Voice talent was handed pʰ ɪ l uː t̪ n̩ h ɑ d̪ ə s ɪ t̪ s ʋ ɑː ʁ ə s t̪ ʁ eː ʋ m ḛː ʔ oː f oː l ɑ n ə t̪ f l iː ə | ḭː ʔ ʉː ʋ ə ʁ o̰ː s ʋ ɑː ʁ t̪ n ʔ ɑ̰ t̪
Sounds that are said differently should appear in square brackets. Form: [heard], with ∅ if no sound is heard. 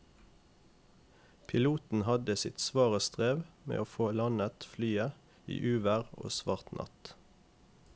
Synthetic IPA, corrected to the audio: pʰ ɪ l uː t̪ n̩ h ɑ d̪ ə s ɪ t̪ s ʋ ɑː ʁ ə s t̪ ʁ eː ʋ m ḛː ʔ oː f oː l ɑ n ə t̪ f l [yː] ə | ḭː ʔ ʉː ʋ ə ʁ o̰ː s ʋ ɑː ʁ t̪ n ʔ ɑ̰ t̪

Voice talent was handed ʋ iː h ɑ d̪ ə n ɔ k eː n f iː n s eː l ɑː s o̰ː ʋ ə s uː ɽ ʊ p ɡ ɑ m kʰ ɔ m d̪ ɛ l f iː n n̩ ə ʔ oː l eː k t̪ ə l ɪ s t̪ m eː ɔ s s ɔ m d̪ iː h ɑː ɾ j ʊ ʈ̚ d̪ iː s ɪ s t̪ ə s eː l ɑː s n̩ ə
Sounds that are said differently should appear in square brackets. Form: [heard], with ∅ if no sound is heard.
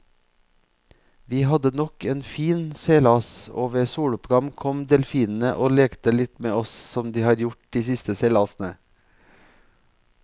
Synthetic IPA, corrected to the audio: ʋ iː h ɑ d̪ ə n ɔ k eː n f iː n s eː l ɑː s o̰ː ʋ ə s uː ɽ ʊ p ɡ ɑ m kʰ ɔ m d̪ ɛ l f iː n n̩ ə ʔ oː l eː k t̪ ə l ɪ [∅] t̪ m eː ɔ s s ɔ m d̪ iː h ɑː ɾ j ʊ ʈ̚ d̪ iː s ɪ s t̪ ə s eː l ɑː s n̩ ə

